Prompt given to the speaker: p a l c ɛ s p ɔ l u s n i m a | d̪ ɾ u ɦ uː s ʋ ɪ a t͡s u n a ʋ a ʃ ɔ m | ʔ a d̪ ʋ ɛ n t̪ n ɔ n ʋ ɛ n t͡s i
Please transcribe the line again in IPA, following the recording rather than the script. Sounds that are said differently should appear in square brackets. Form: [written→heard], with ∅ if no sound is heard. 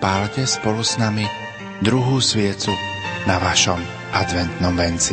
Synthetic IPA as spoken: p a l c ɛ s p ɔ l u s n [i→a] m [a→i] | d̪ ɾ u ɦ uː s ʋ ɪ [a→ɛ] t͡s u n a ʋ a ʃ ɔ m | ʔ a d̪ ʋ ɛ n t̪ n ɔ [n→m] ʋ ɛ n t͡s i